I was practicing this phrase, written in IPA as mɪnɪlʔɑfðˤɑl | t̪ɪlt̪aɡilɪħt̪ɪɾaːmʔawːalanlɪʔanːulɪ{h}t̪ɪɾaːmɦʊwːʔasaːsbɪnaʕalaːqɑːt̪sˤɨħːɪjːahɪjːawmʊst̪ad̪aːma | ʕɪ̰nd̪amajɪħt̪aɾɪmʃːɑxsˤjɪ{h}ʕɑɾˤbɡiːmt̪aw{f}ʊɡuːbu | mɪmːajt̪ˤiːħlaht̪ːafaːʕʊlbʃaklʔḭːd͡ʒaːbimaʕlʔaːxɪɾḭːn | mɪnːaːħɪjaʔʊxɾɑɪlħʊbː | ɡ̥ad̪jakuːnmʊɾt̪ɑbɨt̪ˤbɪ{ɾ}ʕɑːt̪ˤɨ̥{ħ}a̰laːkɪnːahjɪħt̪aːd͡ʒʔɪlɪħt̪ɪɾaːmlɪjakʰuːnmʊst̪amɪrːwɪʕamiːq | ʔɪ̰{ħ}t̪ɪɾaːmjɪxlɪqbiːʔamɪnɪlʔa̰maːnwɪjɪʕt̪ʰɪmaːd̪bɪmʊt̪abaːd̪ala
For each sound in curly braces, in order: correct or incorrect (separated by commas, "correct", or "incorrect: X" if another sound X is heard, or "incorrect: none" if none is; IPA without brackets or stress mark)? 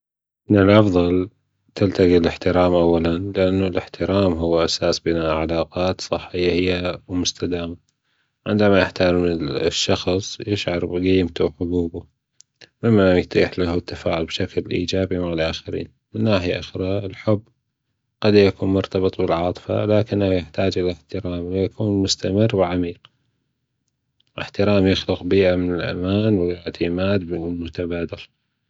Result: incorrect: ħ, incorrect: ʃ, incorrect: ħ, incorrect: l, incorrect: f, correct